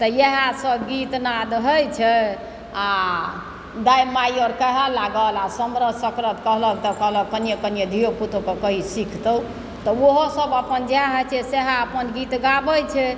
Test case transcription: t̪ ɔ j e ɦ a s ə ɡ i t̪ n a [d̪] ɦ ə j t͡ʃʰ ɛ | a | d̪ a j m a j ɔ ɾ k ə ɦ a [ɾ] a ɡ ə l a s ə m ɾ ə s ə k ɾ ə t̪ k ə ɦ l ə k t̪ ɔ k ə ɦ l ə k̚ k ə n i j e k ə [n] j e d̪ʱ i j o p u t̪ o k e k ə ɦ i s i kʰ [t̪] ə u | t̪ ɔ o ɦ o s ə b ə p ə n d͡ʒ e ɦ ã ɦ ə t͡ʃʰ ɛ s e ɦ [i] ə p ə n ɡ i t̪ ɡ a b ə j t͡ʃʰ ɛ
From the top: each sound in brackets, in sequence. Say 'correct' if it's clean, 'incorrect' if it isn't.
correct, incorrect: l, correct, correct, incorrect: a

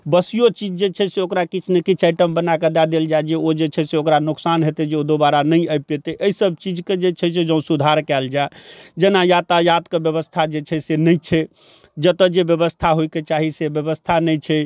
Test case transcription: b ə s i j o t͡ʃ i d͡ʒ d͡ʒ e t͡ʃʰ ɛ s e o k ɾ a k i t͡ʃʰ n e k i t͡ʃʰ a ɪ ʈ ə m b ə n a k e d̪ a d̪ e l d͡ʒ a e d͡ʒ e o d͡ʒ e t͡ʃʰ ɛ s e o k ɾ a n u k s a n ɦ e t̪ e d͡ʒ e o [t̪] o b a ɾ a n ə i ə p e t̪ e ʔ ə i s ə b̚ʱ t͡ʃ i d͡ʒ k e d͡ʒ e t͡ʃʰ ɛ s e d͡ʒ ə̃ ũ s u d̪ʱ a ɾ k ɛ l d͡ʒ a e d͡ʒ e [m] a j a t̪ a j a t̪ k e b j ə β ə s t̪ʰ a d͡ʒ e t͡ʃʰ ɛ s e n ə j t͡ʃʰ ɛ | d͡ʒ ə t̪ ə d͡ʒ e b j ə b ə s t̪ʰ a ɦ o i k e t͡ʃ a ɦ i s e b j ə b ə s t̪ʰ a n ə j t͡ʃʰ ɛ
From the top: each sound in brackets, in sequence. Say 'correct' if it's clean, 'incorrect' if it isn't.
incorrect: d̪, incorrect: n

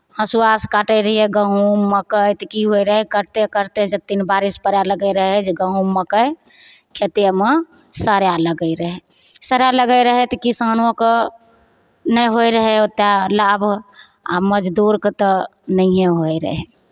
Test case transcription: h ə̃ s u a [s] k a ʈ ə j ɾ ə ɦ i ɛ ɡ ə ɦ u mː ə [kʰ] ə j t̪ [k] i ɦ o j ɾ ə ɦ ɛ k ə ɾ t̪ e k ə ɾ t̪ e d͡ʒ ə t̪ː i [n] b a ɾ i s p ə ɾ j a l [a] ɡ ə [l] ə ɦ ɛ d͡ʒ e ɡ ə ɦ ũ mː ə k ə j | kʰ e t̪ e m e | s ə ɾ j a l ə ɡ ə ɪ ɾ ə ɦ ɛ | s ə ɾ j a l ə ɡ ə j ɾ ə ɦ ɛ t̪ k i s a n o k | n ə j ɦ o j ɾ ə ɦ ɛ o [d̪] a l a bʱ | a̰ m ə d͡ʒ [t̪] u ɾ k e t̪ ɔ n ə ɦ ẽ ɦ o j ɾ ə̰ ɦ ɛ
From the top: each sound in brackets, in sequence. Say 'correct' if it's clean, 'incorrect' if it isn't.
correct, incorrect: k, correct, correct, incorrect: ə, incorrect: ɾ, incorrect: t̪, incorrect: d̪

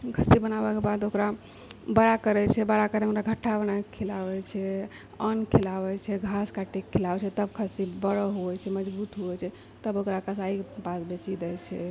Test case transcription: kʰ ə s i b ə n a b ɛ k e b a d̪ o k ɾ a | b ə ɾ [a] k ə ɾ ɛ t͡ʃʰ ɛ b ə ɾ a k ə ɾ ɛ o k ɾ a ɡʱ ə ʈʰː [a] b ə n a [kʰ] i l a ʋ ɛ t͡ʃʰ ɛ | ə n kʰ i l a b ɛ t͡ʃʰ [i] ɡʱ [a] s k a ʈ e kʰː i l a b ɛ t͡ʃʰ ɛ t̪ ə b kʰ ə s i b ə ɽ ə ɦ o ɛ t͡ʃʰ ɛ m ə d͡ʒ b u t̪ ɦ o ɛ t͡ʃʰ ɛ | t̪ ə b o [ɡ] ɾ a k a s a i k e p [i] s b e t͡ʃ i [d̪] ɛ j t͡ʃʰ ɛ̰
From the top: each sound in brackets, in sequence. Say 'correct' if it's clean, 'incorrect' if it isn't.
correct, correct, correct, incorrect: ɛ, correct, incorrect: k, incorrect: a, correct

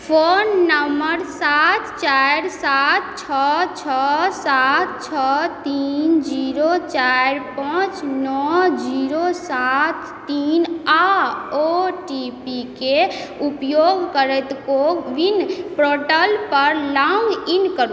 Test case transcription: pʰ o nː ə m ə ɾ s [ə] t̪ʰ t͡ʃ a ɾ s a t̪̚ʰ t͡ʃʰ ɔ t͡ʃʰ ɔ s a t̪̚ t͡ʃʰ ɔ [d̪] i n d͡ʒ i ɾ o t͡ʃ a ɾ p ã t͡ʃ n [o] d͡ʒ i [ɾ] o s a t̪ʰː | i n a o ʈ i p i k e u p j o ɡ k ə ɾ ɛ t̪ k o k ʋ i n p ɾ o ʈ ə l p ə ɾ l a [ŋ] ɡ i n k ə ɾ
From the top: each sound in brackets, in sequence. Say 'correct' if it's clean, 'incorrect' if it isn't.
incorrect: a, incorrect: t̪, incorrect: ɔ, correct, correct

